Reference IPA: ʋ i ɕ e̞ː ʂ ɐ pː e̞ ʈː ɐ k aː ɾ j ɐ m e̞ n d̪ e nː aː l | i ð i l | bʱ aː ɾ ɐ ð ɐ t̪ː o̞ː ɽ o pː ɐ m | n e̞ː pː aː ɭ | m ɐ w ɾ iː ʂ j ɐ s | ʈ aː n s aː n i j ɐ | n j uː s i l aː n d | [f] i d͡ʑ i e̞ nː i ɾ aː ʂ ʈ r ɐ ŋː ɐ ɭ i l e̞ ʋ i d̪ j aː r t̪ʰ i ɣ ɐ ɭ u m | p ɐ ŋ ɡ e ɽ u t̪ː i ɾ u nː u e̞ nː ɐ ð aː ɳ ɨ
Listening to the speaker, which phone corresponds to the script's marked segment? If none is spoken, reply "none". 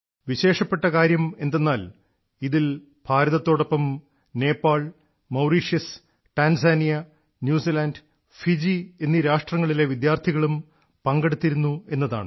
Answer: f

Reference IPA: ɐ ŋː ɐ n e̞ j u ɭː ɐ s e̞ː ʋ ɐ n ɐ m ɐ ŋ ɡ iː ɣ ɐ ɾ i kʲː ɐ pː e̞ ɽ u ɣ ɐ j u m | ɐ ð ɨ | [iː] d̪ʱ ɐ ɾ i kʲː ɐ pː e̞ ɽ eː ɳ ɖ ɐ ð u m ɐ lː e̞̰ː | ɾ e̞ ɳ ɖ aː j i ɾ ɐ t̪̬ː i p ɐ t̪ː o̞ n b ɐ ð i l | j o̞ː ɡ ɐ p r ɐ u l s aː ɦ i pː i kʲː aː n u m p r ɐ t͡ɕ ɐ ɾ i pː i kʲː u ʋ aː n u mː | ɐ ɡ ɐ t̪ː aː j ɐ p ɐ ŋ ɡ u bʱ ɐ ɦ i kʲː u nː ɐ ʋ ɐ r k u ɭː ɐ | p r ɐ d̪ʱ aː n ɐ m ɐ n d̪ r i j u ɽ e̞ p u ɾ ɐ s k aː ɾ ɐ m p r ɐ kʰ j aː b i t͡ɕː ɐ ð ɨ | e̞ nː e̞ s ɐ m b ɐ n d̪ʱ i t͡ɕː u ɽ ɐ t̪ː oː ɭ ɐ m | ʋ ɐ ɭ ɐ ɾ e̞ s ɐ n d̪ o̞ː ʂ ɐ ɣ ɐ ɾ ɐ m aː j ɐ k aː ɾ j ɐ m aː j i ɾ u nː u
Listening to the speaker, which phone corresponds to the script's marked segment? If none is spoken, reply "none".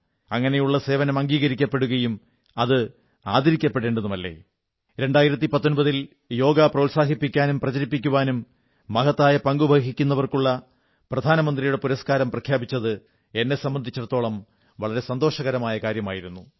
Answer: aː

